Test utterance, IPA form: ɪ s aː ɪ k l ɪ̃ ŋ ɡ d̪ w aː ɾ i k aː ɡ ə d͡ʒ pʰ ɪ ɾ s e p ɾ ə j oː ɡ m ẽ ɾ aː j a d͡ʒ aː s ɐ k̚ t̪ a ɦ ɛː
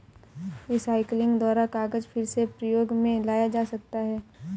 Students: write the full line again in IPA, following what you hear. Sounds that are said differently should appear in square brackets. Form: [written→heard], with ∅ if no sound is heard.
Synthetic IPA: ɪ s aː ɪ k l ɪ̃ ŋ ɡ d̪ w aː ɾ [i→a] k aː ɡ ə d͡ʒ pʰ ɪ ɾ s e p ɾ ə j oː ɡ m ẽ [ɾ→l] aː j a d͡ʒ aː s ɐ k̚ t̪ a ɦ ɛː